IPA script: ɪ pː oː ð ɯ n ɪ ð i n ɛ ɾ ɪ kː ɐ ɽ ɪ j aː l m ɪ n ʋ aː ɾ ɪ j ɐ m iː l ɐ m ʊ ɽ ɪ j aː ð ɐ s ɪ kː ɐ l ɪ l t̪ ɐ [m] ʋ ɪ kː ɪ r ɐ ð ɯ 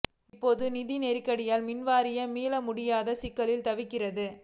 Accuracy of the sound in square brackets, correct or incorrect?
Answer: incorrect